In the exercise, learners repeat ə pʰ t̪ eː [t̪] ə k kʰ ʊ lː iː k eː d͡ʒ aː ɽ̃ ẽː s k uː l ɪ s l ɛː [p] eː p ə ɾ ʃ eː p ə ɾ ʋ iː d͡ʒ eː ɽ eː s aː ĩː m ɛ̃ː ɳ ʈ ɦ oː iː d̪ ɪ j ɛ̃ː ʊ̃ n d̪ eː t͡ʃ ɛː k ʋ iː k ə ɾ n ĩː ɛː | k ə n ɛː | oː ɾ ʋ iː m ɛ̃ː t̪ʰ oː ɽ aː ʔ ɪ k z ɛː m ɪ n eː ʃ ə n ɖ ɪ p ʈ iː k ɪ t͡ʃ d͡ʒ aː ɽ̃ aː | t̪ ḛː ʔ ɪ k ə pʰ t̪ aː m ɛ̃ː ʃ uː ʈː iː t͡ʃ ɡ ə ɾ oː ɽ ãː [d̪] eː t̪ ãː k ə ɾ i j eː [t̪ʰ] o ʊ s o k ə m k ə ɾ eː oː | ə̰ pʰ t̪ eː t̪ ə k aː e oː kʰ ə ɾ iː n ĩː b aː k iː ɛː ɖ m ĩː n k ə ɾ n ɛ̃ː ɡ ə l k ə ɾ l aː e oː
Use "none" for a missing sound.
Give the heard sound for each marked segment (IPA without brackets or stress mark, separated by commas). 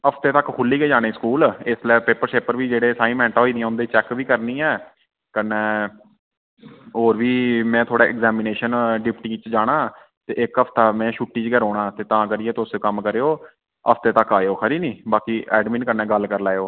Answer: t̪, p, t̪, t̪